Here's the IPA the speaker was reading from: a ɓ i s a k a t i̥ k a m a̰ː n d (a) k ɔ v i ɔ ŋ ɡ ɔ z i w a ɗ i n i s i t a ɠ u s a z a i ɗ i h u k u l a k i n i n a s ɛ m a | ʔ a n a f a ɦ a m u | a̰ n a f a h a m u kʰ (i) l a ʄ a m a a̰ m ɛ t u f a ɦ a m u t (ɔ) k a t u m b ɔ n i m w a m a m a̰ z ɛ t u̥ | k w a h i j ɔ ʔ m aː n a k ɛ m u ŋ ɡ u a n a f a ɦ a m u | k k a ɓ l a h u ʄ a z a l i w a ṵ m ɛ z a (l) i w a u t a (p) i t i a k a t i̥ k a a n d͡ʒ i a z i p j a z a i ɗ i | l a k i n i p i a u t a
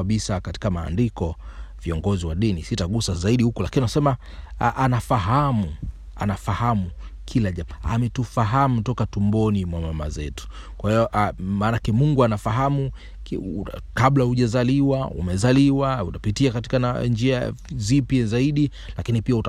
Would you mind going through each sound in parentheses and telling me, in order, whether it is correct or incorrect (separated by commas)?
incorrect, correct, correct, correct, correct